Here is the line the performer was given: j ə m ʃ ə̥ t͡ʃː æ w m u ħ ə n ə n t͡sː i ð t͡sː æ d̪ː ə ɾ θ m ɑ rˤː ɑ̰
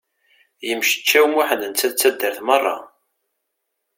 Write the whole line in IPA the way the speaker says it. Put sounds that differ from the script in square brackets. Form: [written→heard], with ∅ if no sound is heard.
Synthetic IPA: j ə m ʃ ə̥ t͡ʃː æ w m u ħ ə n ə n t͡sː [i→æ] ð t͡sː æ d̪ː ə ɾ θ m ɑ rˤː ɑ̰